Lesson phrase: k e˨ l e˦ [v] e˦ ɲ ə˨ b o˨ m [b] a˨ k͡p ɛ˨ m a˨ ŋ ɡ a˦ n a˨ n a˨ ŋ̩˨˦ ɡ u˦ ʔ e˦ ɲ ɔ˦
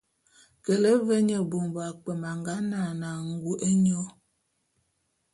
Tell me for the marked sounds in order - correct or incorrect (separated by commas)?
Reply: correct, correct